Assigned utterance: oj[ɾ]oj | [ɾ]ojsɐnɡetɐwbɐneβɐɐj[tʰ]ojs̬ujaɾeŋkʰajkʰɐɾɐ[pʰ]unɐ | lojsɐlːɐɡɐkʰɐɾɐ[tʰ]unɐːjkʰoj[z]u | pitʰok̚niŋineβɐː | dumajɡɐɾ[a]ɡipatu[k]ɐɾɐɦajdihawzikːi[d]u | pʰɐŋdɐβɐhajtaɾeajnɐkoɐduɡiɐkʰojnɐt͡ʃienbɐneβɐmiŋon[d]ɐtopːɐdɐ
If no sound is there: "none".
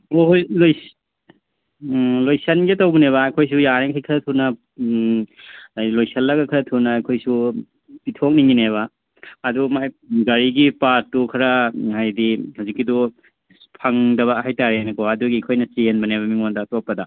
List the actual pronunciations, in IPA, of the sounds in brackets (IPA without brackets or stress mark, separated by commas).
l, l, kʰ, tʰ, tʰ, s, i, kʰ, d, d